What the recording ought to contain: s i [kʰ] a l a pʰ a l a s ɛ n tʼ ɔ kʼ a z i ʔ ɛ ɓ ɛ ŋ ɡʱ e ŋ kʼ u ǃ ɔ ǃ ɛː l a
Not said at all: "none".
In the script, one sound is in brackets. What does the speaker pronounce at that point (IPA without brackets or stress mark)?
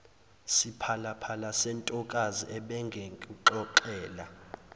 pʰ